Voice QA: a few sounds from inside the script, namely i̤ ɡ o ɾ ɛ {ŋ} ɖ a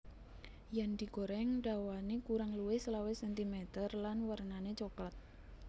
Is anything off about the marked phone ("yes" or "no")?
no